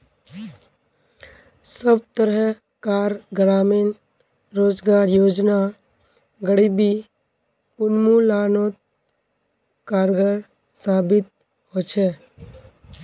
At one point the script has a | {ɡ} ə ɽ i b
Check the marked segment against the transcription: correct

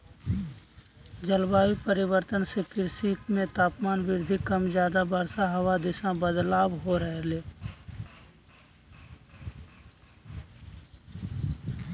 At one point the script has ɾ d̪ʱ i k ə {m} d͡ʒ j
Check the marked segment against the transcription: correct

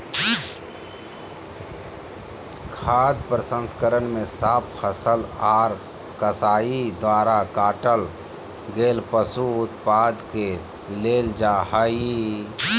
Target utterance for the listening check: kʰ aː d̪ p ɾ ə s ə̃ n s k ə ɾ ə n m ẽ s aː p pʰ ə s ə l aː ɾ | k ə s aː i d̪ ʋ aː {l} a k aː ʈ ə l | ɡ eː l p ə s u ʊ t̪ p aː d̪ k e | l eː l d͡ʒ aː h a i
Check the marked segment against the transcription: incorrect: ɾ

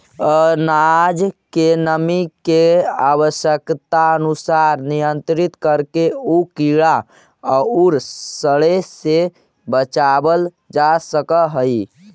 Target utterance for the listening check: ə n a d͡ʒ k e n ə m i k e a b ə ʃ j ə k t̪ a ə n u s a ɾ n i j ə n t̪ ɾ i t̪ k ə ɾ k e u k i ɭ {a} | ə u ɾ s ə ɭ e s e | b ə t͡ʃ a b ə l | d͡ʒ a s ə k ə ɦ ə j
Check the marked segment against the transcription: correct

